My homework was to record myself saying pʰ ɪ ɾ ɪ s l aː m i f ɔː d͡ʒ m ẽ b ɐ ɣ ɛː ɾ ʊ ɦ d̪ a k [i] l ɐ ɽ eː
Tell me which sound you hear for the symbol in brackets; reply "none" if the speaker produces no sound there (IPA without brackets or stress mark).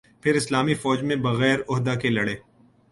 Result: e